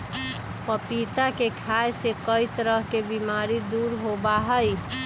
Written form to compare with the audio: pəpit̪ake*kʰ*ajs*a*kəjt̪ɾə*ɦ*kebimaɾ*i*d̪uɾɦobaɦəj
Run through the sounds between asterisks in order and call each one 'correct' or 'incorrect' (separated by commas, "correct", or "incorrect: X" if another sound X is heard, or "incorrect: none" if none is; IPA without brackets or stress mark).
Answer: correct, incorrect: e, correct, correct